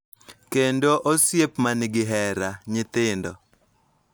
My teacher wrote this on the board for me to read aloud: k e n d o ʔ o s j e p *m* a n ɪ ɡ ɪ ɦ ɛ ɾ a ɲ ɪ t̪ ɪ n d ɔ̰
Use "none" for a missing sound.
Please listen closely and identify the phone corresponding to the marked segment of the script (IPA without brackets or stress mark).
m